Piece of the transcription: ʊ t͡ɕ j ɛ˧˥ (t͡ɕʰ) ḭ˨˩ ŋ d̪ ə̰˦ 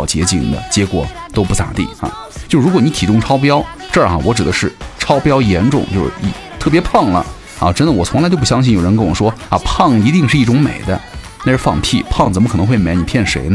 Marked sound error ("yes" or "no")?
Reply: yes